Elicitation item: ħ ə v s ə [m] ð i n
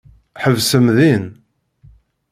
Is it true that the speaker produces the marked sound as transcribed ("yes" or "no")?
yes